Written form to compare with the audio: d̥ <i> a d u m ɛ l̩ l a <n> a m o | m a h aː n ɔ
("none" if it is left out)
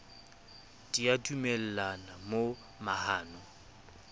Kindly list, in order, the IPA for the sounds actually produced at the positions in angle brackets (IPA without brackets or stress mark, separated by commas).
i, n